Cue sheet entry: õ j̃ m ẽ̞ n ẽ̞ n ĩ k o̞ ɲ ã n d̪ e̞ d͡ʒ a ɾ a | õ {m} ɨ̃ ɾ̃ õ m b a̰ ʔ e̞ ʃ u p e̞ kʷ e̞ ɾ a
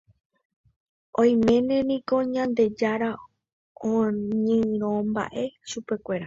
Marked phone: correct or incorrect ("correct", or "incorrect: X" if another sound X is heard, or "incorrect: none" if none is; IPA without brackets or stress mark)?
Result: incorrect: ɲ